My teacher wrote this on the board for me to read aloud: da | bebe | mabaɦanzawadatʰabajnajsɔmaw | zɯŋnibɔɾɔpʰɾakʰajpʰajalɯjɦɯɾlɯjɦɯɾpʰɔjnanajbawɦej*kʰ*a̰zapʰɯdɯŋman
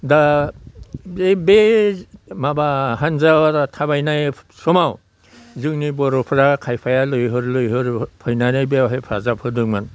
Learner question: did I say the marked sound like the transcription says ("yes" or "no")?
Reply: no